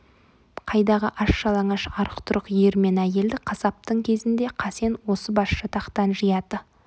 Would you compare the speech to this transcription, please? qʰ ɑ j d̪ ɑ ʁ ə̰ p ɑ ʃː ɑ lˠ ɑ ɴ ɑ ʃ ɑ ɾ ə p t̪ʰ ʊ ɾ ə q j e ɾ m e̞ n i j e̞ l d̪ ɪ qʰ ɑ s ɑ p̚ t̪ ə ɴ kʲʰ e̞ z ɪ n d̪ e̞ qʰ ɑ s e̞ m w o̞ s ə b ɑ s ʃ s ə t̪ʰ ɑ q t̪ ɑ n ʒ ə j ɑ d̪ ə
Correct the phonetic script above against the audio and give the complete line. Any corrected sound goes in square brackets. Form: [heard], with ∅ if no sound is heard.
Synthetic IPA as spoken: qʰ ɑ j d̪ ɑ ʁ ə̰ [ʔ] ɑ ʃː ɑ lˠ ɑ ɴ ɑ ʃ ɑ ɾ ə [q] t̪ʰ ʊ ɾ ə q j e ɾ m e̞ n [æ] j e̞ l d̪ ɪ qʰ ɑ s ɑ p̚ t̪ ə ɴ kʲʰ e̞ z ɪ n d̪ e̞ qʰ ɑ s e̞ [n] w o̞ s ə b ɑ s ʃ [ʃ] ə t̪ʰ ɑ q t̪ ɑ n ʒ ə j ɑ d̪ ə